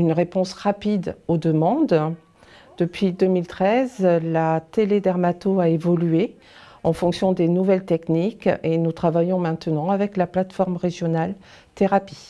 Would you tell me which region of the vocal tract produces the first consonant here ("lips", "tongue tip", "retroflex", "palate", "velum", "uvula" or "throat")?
tongue tip